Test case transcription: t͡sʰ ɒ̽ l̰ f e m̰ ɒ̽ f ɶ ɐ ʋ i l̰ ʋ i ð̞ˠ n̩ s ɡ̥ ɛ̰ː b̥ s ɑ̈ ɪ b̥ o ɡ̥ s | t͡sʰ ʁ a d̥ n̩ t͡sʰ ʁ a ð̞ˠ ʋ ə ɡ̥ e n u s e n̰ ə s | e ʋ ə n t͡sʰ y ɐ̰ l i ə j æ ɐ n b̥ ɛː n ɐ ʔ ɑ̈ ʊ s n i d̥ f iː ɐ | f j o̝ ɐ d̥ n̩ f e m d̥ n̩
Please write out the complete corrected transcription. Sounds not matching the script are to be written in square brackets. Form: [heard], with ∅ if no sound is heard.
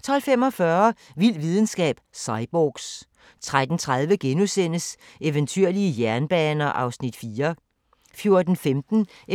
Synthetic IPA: t͡sʰ ɒ̽ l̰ f e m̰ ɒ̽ f ɶ ɐ ʋ i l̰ ʋ i ð̞ˠ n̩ s ɡ̥ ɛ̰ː b̥ s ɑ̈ ɪ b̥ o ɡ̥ s | t͡sʰ ʁ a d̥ n̩ t͡sʰ ʁ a ð̞ˠ ʋ ə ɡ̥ e n u s e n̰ ə s | e ʋ ə n t͡sʰ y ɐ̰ l i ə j æ ɐ n b̥ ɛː n ɐ ʔ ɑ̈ ʊ s n i d̥ f iː ɐ | f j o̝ ɐ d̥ n̩ f e m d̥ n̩